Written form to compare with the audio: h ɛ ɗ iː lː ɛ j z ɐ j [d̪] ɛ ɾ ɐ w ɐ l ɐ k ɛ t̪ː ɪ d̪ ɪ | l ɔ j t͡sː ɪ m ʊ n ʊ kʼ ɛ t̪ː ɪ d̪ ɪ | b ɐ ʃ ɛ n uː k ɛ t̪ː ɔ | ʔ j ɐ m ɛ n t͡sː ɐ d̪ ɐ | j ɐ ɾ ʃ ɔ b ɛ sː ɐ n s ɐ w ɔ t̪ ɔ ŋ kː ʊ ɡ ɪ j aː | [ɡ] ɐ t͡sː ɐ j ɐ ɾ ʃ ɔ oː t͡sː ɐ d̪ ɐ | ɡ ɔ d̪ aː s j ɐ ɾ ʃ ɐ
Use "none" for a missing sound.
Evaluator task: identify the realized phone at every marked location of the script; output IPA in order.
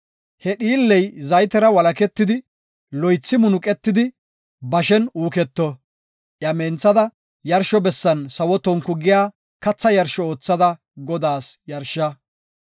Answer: t̪, k

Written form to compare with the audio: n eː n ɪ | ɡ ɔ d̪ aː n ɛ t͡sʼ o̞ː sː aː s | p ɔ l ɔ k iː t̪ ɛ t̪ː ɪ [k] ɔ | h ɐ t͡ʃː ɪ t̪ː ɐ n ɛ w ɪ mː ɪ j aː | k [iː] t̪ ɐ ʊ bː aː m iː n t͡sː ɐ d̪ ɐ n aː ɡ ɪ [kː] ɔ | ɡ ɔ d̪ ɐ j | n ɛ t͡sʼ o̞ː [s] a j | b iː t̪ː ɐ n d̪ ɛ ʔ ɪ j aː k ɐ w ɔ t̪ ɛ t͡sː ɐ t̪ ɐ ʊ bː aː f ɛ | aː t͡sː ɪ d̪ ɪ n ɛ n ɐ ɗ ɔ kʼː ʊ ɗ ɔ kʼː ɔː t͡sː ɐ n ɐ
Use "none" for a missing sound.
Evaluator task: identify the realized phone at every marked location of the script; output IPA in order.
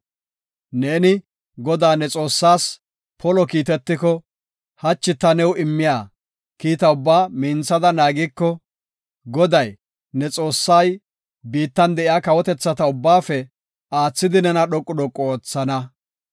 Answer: k, iː, kː, sː

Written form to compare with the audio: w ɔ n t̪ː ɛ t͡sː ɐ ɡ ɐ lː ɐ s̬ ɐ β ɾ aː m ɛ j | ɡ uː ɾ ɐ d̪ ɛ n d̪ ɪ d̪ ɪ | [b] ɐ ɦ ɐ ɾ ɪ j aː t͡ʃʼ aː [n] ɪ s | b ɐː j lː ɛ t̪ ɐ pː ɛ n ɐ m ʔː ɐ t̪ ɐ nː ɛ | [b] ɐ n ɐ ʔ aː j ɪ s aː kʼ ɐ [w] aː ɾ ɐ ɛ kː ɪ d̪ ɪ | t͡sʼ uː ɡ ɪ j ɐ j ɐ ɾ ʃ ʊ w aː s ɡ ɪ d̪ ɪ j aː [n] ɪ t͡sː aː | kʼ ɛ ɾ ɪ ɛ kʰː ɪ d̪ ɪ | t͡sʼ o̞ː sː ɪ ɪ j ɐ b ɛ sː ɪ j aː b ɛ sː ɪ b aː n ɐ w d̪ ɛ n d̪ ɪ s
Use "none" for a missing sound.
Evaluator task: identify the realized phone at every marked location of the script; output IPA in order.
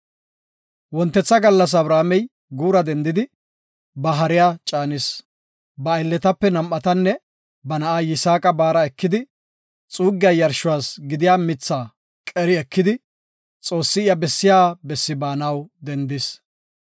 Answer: b, n, b, b, m

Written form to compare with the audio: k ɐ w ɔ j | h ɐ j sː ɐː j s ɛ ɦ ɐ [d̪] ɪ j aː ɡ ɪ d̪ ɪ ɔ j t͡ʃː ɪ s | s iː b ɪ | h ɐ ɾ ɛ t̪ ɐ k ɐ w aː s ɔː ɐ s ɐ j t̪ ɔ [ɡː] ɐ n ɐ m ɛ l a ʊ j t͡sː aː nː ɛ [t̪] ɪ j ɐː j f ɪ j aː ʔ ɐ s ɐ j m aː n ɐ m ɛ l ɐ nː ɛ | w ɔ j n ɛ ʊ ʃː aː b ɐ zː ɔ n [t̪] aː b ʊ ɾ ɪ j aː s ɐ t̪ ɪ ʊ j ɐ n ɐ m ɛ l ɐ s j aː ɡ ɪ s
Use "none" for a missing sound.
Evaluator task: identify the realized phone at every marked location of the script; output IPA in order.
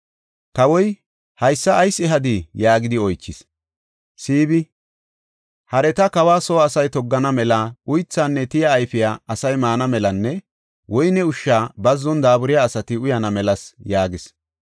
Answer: d̪, ɡː, t̪, d̪

